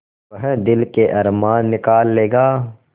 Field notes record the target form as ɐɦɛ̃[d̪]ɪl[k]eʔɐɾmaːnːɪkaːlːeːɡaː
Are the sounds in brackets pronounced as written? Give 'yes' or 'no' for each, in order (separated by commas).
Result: yes, yes